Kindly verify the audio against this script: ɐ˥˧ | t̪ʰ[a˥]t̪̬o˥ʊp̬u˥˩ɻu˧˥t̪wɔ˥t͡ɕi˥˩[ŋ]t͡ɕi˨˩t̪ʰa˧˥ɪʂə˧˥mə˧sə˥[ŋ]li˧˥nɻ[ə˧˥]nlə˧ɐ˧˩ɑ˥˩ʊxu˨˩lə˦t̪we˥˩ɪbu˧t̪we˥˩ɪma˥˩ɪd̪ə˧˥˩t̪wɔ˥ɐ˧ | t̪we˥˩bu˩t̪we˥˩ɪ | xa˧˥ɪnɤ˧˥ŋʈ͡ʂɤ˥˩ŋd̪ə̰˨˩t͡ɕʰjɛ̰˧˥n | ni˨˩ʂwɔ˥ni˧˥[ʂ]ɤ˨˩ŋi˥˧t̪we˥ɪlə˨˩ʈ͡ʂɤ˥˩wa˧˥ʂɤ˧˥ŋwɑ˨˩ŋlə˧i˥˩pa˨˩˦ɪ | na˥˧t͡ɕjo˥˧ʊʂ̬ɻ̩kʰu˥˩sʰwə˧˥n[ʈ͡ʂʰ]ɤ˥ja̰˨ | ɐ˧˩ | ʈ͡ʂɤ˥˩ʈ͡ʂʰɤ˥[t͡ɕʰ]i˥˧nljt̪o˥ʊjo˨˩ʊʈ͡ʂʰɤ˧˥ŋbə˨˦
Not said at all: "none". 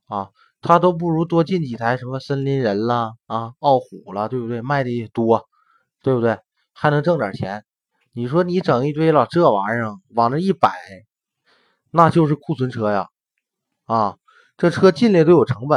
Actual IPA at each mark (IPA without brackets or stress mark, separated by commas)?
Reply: a˥, n, n, ə˧˥, ʈ͡ʂ, ʈ͡ʂʰ, t͡ɕ